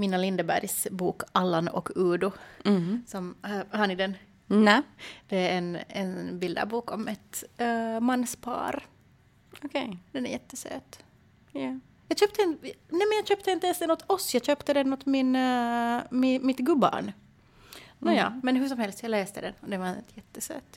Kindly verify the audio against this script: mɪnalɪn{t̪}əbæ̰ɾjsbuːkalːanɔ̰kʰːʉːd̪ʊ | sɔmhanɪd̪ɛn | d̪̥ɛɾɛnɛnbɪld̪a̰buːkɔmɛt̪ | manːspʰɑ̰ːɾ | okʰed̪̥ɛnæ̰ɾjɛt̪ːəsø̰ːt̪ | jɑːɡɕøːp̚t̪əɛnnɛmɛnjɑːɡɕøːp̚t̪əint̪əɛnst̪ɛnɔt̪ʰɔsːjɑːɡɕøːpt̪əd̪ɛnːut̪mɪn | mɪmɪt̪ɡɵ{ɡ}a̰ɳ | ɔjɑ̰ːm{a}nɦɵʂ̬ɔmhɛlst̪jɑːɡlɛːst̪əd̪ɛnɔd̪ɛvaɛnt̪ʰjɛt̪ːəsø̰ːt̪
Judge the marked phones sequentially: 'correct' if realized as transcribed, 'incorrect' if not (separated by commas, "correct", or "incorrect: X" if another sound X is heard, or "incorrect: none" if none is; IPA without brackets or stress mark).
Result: incorrect: d̪, incorrect: b, incorrect: ɛ